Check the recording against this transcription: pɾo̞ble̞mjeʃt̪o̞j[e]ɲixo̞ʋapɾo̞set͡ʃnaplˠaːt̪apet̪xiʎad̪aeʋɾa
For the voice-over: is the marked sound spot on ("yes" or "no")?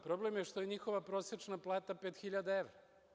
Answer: yes